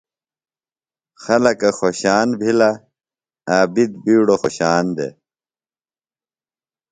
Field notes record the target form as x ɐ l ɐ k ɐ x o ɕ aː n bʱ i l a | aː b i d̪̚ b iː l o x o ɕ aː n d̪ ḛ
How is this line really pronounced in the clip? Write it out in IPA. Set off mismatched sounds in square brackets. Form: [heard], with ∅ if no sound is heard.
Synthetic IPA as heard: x ɐ l ɐ k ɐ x o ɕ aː n bʱ i l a | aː b i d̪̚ b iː [ɽ] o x o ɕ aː n d̪ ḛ